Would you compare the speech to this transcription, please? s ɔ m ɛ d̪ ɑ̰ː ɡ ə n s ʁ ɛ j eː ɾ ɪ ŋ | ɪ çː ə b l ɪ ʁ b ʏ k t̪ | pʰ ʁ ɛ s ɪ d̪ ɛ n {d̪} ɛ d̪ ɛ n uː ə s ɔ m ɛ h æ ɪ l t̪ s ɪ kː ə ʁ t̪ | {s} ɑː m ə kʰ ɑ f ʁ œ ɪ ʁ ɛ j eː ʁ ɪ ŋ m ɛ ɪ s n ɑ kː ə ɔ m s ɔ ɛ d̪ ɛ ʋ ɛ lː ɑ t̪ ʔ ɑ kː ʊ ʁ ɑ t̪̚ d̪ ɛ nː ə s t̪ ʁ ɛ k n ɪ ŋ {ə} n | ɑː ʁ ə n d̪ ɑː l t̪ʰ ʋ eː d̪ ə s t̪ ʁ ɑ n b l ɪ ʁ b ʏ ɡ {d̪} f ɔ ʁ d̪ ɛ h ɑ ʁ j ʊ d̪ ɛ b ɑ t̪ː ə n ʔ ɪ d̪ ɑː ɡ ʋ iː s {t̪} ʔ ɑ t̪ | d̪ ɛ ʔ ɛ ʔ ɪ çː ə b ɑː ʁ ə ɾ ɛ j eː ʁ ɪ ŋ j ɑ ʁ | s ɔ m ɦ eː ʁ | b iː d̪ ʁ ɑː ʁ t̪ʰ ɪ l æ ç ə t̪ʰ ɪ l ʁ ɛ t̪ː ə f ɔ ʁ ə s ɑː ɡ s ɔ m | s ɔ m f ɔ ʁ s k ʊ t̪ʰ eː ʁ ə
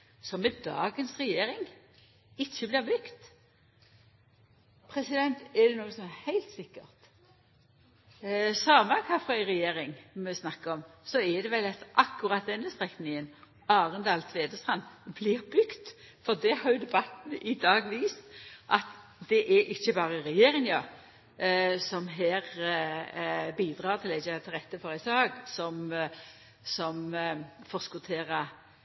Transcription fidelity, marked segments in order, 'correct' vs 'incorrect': incorrect: t̪, correct, correct, incorrect: t̪, correct

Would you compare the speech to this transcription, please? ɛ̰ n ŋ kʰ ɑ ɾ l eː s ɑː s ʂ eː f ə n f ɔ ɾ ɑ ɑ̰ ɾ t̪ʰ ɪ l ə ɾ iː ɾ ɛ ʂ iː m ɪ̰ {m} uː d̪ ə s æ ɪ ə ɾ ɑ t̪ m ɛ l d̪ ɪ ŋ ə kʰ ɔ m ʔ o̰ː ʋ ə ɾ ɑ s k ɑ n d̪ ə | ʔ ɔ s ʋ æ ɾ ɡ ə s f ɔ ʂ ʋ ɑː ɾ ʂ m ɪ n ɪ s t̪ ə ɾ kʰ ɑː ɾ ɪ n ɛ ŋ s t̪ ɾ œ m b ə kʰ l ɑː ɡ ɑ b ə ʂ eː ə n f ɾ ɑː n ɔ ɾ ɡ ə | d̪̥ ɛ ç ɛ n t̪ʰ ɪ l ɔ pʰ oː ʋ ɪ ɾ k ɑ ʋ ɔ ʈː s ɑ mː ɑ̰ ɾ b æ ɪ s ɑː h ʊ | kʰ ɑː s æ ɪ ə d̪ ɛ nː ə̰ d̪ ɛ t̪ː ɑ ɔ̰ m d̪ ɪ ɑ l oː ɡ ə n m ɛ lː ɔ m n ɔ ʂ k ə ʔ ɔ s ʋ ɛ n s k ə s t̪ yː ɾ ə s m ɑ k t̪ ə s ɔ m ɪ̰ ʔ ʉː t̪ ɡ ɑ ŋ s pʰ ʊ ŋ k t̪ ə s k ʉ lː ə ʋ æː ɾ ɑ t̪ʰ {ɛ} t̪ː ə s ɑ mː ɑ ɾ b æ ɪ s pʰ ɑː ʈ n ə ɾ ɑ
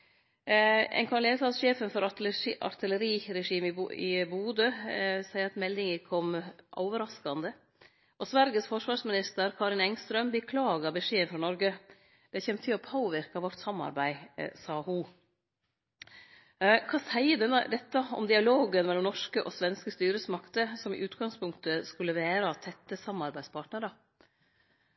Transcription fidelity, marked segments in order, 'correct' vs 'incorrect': incorrect: b, correct

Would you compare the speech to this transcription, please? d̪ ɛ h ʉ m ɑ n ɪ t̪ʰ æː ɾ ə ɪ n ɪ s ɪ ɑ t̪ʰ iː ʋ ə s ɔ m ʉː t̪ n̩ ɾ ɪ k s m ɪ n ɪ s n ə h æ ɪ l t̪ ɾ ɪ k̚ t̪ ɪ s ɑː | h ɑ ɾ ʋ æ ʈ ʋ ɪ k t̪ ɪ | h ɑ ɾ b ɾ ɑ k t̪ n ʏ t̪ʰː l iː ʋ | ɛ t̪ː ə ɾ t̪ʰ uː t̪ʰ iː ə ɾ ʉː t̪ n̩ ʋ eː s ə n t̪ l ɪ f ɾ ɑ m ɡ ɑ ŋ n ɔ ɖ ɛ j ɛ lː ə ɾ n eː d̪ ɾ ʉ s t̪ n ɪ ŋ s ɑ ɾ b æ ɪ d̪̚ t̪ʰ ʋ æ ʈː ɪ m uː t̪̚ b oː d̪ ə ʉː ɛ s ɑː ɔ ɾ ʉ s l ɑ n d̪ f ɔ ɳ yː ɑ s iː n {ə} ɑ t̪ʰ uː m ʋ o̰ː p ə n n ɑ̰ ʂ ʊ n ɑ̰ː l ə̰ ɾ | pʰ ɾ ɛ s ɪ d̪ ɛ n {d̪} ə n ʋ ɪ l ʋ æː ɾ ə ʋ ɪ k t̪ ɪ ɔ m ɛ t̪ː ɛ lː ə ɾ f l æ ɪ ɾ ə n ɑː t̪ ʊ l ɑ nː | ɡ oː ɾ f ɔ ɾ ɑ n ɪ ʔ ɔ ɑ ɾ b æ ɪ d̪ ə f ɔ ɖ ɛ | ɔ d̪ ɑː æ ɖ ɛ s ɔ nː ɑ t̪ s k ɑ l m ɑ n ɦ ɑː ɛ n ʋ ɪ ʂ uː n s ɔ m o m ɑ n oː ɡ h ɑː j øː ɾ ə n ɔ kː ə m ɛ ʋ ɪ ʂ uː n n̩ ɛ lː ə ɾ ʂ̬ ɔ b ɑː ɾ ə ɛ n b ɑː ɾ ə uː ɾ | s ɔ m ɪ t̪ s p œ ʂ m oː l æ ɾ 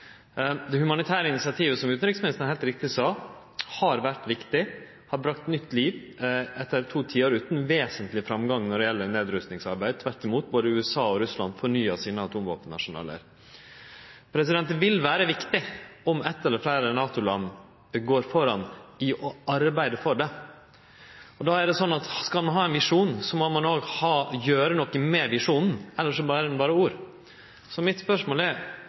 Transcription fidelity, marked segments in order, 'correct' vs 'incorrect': correct, incorrect: t̪

